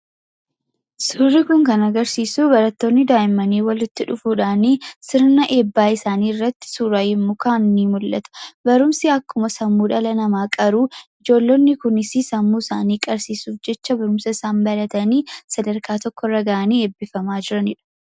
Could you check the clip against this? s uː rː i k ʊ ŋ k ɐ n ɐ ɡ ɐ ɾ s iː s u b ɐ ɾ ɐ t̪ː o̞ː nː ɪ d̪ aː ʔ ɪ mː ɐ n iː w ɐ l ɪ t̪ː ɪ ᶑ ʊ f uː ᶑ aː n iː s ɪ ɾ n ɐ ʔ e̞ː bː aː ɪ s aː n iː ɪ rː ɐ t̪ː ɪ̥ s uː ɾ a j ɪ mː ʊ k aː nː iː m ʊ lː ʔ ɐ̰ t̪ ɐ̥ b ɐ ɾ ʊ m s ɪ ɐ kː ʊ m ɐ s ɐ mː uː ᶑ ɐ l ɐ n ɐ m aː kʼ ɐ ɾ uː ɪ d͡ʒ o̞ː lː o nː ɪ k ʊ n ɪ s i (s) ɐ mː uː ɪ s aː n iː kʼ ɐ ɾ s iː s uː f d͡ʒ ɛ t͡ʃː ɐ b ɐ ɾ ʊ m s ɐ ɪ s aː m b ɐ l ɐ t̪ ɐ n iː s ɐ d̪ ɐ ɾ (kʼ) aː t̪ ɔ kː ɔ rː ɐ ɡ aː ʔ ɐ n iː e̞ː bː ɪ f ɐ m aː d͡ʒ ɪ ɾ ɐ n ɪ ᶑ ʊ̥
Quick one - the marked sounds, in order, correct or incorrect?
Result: correct, incorrect

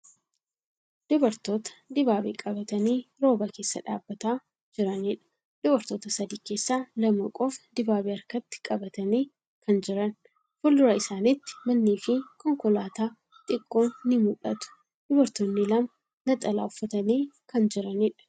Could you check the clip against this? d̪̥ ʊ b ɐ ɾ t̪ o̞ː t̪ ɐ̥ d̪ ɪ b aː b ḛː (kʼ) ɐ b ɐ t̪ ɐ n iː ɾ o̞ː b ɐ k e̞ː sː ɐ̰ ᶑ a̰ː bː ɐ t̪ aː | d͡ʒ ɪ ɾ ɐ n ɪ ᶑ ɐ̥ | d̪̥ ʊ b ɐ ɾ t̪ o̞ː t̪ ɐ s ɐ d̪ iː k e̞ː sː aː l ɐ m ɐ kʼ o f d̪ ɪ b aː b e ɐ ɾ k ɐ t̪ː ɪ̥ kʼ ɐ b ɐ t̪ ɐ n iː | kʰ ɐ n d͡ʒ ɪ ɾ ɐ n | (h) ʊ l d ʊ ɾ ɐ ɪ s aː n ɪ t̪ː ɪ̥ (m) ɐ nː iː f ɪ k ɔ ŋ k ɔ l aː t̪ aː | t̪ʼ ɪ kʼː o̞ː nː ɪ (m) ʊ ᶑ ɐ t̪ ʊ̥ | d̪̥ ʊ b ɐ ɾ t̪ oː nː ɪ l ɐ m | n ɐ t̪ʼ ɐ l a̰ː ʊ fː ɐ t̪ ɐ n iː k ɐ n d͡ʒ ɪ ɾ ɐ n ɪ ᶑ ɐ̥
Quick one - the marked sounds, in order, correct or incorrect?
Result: correct, incorrect, correct, correct

